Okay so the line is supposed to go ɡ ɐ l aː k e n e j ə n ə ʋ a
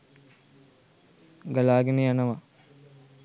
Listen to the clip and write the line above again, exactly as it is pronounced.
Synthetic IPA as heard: ɡ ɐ l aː ɡ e n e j a n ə ʋ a